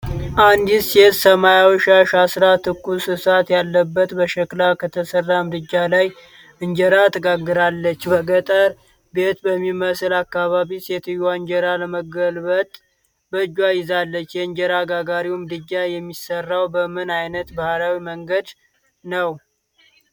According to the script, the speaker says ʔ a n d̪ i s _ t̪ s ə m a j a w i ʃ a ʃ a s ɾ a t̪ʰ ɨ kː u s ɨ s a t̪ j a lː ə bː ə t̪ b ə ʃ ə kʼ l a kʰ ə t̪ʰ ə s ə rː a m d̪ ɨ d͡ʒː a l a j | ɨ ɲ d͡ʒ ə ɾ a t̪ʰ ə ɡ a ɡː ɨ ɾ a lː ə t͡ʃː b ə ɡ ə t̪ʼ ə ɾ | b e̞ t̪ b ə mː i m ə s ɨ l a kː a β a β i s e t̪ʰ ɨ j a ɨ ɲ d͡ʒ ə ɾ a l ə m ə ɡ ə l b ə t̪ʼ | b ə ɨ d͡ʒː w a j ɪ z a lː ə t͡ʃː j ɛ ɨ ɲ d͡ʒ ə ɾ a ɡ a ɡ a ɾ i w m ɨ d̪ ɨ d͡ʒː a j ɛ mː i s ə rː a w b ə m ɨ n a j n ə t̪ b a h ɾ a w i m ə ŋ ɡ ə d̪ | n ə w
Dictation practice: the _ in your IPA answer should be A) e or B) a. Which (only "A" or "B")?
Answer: A